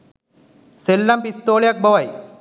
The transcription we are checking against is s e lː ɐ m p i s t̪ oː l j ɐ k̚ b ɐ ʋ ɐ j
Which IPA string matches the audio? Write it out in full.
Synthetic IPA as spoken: s e lː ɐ m p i s t̪ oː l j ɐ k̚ b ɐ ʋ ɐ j